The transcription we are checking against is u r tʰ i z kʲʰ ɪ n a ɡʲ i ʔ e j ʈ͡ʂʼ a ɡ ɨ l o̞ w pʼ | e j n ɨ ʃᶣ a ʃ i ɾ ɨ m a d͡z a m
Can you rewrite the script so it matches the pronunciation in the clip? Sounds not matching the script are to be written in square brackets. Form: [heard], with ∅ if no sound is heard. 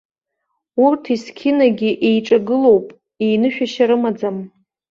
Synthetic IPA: u r tʰ i [s] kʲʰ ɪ n a ɡʲ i ʔ e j ʈ͡ʂʼ a ɡ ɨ l o̞ w pʼ | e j n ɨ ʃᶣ a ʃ [a] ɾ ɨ m a d͡z a m